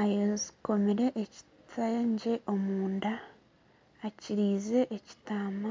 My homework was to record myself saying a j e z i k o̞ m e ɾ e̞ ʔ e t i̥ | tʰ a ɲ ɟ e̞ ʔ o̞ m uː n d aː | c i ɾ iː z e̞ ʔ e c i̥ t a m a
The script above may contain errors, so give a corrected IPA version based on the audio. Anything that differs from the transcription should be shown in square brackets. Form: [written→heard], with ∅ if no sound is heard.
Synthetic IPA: a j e z i k o̞ m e ɾ e̞ ʔ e [t→c] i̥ | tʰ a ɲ ɟ e̞ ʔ o̞ m uː n d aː | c i ɾ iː z e̞ ʔ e c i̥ t a m a